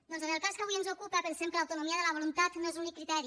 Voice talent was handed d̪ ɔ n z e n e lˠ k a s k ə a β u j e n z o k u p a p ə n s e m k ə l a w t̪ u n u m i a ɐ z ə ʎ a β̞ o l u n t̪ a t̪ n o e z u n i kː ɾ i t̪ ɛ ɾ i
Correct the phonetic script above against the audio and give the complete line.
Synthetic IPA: d̪ ɔ n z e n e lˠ k a s k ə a β u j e n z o k u p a p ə n s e m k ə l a w t̪ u n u m i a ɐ ð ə l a β̞ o l u n t̪ a t̪ n o e z u n i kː ɾ i t̪ ɛ ɾ i